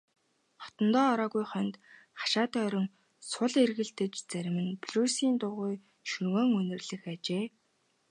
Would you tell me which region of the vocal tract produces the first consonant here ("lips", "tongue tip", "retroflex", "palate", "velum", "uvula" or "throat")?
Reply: uvula